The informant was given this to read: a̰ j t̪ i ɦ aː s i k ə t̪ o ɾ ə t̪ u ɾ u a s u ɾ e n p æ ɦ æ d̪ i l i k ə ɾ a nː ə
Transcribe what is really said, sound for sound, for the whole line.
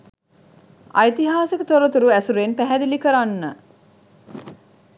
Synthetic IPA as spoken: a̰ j t̪ i ɦ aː s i k ə t̪ o ɾ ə t̪ u ɾ u æ s u ɾ e n p æ ɦ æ d̪ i l i k ə ɾ a nː ə